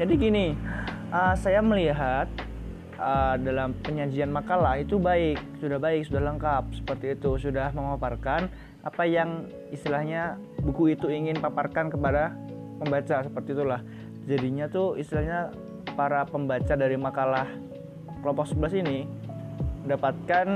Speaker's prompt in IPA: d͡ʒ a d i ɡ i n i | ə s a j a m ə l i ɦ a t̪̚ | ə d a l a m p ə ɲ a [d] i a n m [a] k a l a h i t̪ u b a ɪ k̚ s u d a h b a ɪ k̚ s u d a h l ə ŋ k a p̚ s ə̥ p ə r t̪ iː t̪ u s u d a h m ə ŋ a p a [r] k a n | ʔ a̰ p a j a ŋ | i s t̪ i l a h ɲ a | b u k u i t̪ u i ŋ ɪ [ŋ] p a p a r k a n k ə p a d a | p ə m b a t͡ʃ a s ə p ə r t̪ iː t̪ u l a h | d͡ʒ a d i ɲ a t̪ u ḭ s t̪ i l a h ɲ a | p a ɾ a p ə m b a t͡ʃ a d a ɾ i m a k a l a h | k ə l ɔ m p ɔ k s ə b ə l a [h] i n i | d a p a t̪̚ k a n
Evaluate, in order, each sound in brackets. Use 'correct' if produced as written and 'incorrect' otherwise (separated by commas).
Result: incorrect, correct, correct, incorrect, incorrect